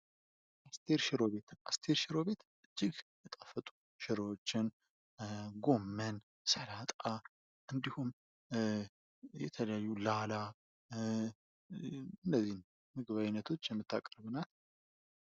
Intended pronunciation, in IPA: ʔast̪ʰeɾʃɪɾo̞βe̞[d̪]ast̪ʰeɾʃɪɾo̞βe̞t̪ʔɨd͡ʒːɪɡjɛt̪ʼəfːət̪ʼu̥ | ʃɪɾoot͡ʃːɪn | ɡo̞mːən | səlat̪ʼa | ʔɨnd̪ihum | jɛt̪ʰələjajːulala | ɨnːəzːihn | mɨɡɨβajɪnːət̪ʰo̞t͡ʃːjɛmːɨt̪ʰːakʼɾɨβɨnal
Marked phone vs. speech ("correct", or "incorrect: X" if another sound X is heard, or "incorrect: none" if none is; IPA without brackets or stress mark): incorrect: t̪